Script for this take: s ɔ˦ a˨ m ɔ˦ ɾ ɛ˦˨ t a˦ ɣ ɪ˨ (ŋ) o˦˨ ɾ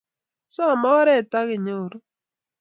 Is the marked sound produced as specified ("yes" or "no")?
no